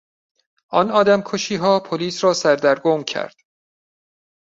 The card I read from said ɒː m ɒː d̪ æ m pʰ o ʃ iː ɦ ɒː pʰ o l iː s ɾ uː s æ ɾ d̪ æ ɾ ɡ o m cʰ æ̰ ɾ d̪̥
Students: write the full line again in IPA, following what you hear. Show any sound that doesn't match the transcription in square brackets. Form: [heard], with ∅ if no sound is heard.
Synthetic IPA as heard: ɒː [n] ɒː d̪ æ m [kʰ] o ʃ iː ɦ ɒː pʰ o l iː s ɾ [ɒː] s æ ɾ d̪ æ ɾ ɡ o m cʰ æ̰ ɾ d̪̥

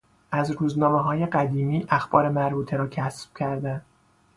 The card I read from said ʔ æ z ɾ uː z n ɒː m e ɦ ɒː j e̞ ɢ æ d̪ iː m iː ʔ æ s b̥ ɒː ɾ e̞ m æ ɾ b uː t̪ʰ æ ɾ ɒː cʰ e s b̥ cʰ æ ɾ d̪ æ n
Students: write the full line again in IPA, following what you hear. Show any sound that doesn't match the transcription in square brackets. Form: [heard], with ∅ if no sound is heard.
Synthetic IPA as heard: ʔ æ z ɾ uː z n ɒː m e ɦ ɒː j e̞ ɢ æ d̪ iː m iː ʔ æ [x] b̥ ɒː ɾ e̞ m æ ɾ b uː t̪ʰ [e] ɾ ɒː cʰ [æ] s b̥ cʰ æ ɾ d̪ æ n

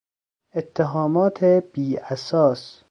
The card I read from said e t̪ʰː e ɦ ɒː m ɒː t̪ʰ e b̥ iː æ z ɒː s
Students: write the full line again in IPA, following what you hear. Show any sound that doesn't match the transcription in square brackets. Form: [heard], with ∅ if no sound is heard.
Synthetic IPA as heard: e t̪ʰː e ɦ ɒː m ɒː t̪ʰ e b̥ iː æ [s] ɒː s

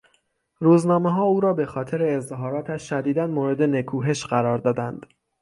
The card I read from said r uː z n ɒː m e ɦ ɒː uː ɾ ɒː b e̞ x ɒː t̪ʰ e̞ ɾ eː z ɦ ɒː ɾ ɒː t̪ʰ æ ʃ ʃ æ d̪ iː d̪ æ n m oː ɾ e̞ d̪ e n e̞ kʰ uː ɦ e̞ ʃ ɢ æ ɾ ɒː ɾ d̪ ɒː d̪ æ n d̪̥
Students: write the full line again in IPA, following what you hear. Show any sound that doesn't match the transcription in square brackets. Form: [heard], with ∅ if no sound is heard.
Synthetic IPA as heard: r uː z n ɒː m e ɦ ɒː uː ɾ ɒː b e̞ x ɒː t̪ʰ e̞ ɾ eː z ɦ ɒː ɾ ɒː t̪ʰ æ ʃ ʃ æ d̪ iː d̪ æ n m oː ɾ e̞ d̪ e n e̞ kʰ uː ɦ e̞ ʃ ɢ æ ɾ ɒː ɾ d̪ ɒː d̪ æ n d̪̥

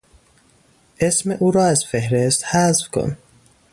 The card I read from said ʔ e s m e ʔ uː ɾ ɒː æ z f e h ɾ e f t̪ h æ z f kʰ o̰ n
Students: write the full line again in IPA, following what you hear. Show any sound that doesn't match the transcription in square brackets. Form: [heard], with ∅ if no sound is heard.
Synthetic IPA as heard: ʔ e s m e ʔ uː ɾ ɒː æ z f e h ɾ e [s] t̪ h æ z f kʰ o̰ n

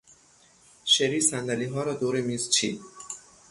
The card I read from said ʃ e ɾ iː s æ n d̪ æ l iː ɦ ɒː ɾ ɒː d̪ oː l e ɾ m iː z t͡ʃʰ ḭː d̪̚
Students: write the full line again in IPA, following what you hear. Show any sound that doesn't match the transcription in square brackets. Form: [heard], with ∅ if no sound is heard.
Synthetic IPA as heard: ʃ e ɾ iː s æ n d̪ æ l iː ɦ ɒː ɾ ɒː d̪ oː [ɾ] e [∅] m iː z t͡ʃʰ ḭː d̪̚

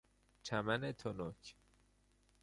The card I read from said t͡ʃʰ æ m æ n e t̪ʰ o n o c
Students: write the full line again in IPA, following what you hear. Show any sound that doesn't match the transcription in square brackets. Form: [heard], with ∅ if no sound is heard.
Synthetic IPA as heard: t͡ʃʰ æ m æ n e t̪ʰ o n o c

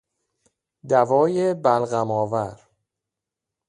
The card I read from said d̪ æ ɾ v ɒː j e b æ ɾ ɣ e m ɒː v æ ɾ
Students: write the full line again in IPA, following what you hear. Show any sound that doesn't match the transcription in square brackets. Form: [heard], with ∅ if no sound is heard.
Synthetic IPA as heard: d̪ æ [∅] v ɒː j e b æ [l] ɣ [æ] m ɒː v æ ɾ

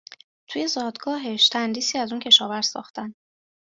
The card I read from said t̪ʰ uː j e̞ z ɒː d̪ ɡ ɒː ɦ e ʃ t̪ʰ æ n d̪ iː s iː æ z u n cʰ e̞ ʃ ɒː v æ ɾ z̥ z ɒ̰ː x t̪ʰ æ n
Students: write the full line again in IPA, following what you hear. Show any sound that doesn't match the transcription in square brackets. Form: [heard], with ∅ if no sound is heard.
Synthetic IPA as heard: t̪ʰ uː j e̞ z ɒː d̪ ɡ ɒː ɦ e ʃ t̪ʰ æ n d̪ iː s iː æ z u n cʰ e̞ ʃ ɒː v æ ɾ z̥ [s] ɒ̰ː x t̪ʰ æ n

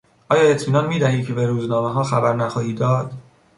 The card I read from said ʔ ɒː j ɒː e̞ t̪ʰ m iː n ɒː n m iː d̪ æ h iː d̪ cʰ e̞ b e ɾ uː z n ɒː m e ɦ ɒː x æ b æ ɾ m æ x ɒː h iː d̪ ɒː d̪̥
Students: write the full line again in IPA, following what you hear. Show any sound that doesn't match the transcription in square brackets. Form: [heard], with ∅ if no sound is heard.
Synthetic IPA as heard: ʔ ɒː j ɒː e̞ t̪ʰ m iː n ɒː n m iː d̪ æ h iː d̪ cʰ e̞ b e ɾ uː z n ɒː m e ɦ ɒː x æ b æ ɾ [n] æ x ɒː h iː d̪ ɒː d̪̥

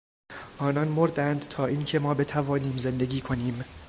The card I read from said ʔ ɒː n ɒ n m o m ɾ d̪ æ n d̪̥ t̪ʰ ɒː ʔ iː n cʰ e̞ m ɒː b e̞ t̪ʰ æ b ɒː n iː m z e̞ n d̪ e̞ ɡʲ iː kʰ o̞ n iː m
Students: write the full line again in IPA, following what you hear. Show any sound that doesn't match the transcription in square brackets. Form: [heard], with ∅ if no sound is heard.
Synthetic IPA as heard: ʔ ɒː n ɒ n m o [∅] ɾ d̪ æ n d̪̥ t̪ʰ ɒː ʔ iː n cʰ e̞ m ɒː b e̞ t̪ʰ æ [v] ɒː n iː m z e̞ n d̪ e̞ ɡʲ iː kʰ o̞ n iː m

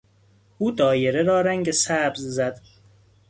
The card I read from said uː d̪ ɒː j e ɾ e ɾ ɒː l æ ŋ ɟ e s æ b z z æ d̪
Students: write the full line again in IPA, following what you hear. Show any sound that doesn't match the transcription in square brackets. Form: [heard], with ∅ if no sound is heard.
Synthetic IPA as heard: uː d̪ ɒː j e ɾ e ɾ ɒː [ɾ] æ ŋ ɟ e s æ b z z æ d̪

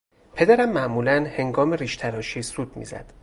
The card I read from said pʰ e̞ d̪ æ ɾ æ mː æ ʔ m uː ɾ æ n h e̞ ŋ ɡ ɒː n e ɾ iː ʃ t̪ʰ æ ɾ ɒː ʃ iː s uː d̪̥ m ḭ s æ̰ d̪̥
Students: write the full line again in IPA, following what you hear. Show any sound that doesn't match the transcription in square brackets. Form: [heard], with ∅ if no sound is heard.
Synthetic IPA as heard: pʰ e̞ d̪ æ ɾ æ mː æ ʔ m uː [l] æ n h e̞ ŋ ɡ ɒː [m] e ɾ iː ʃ t̪ʰ æ ɾ ɒː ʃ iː s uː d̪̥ m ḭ [z] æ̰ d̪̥

